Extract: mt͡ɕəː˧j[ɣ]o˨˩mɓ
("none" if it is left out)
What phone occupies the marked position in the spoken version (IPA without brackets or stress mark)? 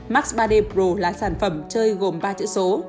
ɣ